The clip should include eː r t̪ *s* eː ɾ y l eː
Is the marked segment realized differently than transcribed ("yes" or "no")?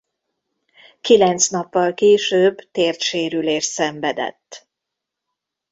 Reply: yes